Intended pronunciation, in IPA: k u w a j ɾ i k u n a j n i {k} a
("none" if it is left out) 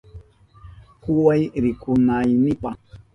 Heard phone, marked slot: p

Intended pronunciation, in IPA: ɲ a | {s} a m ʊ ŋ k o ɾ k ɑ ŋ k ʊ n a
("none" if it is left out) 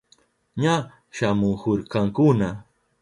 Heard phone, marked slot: ʃ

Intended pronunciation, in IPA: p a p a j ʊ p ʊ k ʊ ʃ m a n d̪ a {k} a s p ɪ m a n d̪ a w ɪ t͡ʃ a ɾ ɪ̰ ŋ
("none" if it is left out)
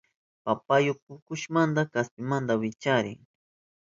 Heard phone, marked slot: k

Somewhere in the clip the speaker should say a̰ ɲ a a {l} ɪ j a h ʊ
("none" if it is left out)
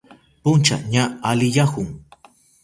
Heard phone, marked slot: l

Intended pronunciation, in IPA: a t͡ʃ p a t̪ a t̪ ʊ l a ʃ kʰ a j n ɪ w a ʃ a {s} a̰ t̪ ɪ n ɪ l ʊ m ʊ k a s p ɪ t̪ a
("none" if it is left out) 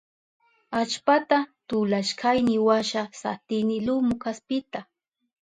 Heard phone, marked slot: s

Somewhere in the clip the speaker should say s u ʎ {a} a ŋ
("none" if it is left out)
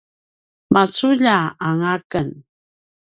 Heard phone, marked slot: a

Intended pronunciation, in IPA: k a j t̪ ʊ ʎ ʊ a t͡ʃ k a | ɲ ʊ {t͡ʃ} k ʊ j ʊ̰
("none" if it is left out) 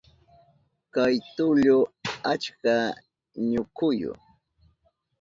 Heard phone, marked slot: none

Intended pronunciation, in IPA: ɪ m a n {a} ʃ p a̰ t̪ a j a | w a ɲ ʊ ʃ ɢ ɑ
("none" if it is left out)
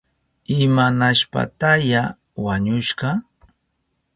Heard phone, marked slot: a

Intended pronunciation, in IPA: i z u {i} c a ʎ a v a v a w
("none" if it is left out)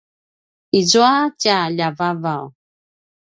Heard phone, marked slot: a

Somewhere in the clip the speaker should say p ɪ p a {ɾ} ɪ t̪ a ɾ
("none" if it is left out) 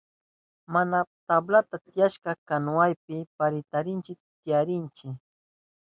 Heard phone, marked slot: ɾ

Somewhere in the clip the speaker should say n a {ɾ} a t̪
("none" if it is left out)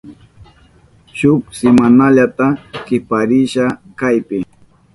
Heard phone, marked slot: ʎ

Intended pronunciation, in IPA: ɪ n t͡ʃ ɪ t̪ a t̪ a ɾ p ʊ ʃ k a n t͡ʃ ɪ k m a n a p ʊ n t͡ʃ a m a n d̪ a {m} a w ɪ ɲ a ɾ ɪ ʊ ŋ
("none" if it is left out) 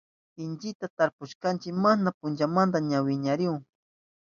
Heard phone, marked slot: ɲ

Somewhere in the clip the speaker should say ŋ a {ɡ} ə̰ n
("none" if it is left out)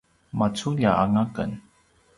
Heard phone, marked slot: k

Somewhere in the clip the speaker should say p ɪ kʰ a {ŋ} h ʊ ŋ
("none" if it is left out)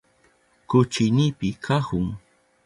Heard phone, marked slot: none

